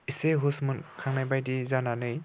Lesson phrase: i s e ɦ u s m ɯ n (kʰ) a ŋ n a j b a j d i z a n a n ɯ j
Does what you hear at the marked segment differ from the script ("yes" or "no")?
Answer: no